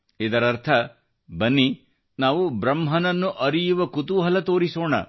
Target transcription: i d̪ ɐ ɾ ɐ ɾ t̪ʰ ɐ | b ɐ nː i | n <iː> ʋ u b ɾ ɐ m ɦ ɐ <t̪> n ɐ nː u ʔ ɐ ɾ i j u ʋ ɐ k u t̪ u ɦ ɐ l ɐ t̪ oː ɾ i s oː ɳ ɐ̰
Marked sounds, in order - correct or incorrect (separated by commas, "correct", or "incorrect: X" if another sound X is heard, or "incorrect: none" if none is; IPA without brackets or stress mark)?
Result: incorrect: aː, incorrect: none